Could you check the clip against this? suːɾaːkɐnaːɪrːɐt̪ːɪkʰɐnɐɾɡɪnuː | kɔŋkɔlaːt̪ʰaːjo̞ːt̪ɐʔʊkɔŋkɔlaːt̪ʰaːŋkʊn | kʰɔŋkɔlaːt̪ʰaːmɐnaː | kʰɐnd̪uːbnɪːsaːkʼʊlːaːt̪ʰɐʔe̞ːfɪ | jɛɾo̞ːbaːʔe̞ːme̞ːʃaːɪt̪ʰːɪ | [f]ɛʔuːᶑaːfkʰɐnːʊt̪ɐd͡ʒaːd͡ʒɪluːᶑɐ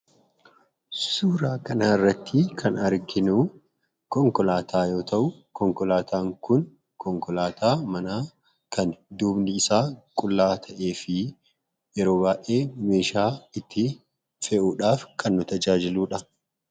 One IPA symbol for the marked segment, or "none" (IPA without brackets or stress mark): f